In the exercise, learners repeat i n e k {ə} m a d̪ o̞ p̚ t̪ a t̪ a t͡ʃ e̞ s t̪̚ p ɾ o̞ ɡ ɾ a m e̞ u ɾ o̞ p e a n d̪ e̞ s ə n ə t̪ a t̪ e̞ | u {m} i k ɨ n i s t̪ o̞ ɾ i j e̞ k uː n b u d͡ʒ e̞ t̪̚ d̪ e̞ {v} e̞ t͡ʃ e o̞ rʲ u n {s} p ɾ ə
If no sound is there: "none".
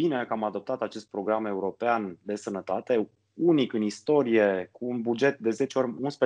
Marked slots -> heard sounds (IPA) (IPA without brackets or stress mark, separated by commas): a, n, z, s